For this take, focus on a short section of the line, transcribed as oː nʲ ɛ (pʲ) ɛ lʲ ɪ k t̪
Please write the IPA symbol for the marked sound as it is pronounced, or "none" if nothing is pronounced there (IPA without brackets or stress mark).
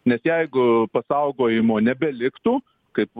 bʲ